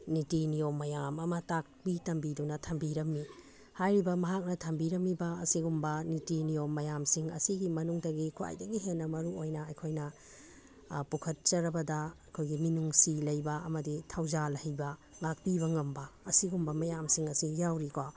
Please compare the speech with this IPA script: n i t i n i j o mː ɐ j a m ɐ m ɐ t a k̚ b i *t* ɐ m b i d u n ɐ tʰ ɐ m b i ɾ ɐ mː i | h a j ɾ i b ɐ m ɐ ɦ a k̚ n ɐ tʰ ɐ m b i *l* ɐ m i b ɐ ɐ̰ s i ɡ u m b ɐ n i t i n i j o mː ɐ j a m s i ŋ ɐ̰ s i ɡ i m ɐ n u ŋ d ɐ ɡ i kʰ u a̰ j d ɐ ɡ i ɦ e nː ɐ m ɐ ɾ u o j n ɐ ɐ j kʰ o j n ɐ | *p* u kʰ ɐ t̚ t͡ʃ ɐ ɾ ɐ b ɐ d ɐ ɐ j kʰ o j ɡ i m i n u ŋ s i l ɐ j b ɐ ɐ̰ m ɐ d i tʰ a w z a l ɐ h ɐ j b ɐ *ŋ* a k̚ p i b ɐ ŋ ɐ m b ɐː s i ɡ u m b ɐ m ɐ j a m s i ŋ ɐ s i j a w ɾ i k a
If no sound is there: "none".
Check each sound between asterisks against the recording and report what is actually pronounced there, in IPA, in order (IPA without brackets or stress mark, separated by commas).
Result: t, ɾ, p, ŋ